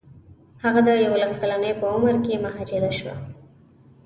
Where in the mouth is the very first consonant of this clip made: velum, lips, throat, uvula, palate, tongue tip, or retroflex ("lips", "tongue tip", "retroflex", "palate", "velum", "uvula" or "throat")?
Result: throat